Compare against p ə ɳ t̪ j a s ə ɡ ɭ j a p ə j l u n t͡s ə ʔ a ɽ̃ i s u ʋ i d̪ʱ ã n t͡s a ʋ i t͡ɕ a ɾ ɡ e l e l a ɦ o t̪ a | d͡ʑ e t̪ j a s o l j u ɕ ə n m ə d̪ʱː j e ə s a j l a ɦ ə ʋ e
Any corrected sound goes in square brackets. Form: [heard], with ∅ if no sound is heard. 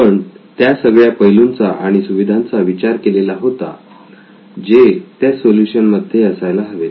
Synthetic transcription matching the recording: p ə ɳ t̪ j a s ə ɡ ɭ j a p ə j l u n t͡s [a] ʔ a ɽ̃ i s u ʋ i d̪ʱ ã n t͡s a ʋ i t͡ɕ a ɾ [k] e l e l a ɦ o t̪ a | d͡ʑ e t̪ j a s o l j u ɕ ə n m ə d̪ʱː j e ə s a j l a ɦ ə ʋ e